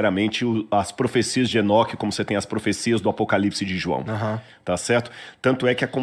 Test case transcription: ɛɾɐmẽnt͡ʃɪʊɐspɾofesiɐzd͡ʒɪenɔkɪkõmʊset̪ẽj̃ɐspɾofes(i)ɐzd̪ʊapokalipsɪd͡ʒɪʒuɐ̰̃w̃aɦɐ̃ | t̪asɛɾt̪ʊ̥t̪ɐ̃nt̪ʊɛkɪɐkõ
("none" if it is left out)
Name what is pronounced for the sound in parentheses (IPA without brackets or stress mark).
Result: i